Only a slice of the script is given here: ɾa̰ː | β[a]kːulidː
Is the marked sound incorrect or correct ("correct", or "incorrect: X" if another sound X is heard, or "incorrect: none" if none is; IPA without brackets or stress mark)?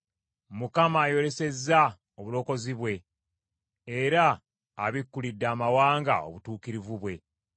incorrect: i